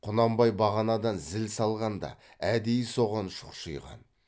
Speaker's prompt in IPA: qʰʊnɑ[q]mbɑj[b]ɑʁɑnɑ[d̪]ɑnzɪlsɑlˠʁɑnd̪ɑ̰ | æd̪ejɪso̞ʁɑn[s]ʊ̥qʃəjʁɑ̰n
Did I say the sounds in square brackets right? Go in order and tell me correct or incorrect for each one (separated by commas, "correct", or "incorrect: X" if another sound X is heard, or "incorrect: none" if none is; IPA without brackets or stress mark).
incorrect: none, correct, correct, incorrect: ʃ